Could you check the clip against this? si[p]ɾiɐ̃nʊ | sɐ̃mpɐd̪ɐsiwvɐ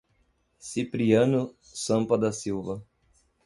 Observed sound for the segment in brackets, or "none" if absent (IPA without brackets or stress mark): p